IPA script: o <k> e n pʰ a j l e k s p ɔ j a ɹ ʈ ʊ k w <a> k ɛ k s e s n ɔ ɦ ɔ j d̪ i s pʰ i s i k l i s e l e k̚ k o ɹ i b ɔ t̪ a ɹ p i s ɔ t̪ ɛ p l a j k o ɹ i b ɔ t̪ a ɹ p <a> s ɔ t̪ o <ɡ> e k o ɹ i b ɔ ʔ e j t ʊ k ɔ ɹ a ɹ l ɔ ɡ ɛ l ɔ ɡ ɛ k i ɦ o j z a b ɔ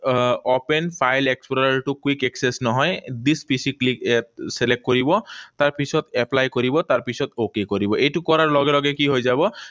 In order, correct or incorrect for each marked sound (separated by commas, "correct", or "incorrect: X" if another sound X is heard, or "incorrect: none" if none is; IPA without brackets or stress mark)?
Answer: incorrect: p, incorrect: i, incorrect: i, incorrect: k